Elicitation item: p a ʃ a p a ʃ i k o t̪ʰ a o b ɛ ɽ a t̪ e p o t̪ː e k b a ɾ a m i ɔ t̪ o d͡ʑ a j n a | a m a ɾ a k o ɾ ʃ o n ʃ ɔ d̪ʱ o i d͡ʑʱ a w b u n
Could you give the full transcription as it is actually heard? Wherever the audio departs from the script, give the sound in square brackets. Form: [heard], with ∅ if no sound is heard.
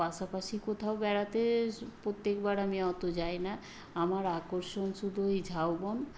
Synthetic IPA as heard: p a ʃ a p a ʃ i k o t̪ʰ a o b ɛ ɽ a t̪ e p o t̪ː e k b a ɾ a m i ɔ t̪ o d͡ʑ a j n a | a m a ɾ a k o ɾ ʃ o n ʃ [u] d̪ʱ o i d͡ʑʱ a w b [o] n